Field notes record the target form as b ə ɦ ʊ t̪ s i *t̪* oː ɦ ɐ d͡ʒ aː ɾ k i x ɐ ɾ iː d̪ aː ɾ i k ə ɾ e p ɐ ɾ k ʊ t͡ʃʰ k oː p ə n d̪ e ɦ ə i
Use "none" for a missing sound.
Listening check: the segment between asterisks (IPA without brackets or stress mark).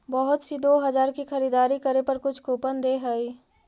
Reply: d̪